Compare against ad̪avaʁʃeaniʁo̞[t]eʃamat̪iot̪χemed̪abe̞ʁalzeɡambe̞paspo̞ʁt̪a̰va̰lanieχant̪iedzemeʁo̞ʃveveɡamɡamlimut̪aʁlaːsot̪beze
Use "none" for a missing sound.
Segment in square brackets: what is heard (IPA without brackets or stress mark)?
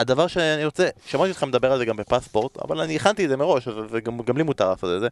t͡s